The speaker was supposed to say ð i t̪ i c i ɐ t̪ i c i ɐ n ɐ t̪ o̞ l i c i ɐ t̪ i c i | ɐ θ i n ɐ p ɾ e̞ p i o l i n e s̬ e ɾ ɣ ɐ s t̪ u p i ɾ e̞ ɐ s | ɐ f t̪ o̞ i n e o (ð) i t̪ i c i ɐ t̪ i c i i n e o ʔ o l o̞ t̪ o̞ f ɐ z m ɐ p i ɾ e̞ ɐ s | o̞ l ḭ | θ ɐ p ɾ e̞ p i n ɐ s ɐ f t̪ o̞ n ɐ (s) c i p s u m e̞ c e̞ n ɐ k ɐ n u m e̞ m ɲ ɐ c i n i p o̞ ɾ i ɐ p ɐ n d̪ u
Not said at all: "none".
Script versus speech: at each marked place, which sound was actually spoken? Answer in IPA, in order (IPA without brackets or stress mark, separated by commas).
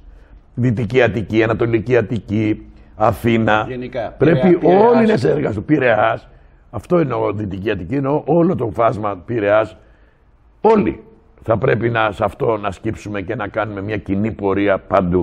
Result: ð, s